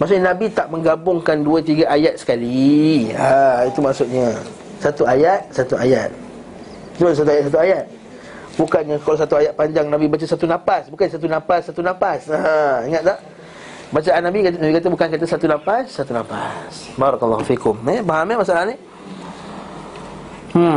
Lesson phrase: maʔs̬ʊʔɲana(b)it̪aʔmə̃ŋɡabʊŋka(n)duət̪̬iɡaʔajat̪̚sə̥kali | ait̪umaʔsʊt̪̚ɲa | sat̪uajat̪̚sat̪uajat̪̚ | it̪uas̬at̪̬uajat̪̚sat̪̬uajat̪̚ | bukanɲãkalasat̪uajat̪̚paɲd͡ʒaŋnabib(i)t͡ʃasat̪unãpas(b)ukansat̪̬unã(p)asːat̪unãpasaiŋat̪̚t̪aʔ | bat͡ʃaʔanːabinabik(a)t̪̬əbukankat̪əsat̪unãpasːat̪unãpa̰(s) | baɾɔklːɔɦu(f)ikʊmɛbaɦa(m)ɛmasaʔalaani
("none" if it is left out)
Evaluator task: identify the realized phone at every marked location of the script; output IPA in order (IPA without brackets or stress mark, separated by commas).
b, n, a, b, p, a, s, f, m